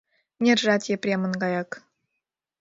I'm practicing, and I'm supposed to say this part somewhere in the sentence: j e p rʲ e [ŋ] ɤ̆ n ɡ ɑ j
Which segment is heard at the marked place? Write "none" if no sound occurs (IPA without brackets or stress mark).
m